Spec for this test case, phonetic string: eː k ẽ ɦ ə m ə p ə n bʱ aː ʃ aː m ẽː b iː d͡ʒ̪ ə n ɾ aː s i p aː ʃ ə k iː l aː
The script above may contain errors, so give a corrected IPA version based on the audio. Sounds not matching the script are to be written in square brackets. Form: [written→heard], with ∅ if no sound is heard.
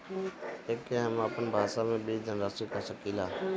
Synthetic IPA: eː k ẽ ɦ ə m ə p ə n bʱ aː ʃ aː m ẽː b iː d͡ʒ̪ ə n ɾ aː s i [p→k] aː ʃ ə k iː l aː